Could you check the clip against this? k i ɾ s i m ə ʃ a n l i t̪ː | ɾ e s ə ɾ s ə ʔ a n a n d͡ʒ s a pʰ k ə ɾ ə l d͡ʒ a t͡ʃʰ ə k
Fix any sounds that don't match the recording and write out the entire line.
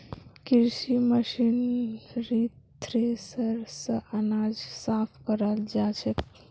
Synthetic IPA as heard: k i ɾ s i m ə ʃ i n ɾ i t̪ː | ɾ e s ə ɾ s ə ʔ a n a d͡ʒ s a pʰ k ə ɾ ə l d͡ʒ a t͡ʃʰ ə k